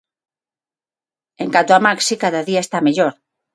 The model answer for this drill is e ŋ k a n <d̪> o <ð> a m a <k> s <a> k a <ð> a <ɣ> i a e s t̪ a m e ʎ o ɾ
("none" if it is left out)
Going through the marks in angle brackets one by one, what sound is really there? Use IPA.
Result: t̪, none, k, i, ð, ð

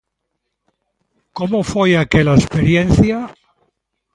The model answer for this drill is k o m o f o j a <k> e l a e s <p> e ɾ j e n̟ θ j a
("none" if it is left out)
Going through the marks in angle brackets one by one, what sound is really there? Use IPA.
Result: k, p

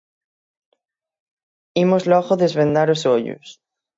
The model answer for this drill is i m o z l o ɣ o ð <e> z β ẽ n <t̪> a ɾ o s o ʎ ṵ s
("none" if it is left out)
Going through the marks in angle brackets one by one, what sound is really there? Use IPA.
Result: e, d̪

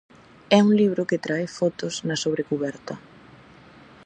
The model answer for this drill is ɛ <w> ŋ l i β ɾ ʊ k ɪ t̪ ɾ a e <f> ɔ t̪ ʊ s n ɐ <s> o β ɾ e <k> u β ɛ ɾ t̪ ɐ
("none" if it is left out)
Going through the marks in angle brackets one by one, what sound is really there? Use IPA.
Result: u, f, s, k

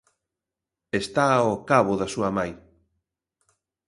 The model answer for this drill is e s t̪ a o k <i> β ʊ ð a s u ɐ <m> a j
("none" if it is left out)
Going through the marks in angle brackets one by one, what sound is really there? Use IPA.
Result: a, m

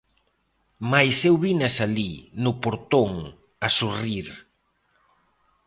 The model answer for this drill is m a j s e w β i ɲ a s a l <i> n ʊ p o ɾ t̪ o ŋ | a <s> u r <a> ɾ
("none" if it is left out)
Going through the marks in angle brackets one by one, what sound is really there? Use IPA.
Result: i, s, i

